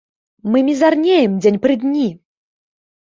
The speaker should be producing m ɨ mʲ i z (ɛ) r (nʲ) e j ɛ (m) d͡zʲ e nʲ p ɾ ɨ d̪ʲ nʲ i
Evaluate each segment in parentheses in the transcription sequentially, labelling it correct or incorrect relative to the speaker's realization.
incorrect, correct, correct

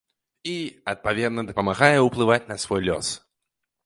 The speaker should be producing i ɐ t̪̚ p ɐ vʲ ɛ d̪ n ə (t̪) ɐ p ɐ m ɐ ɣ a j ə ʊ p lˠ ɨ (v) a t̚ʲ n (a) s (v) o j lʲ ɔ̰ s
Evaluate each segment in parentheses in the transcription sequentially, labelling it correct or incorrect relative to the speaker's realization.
incorrect, correct, incorrect, correct

